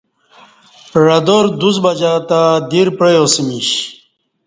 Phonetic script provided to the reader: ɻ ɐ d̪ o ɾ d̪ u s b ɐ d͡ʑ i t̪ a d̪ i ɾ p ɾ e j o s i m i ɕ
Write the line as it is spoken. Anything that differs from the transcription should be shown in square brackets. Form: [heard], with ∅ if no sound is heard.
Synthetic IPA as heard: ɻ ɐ d̪ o ɾ d̪ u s b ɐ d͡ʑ [a] t̪ a d̪ i ɾ p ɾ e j o s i m i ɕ